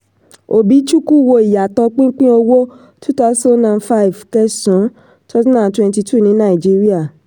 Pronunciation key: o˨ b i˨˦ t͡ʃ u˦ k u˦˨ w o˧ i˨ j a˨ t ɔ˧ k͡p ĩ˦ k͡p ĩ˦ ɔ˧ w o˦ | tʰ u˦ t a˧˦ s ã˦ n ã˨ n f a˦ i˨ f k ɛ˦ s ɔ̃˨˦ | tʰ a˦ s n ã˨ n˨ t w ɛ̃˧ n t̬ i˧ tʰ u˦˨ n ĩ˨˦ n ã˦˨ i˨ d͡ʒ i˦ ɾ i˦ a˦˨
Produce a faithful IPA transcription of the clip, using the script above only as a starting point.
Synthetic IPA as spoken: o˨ b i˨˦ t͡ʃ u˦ k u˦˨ w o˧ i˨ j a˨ t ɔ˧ k͡p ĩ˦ k͡p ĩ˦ o˧ w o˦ | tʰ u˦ t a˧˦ s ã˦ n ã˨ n f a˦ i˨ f k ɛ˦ s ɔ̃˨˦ | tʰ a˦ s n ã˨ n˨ t w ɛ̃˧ n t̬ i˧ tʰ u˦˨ n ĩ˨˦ n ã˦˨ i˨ d͡ʒ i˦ ɾ i˦ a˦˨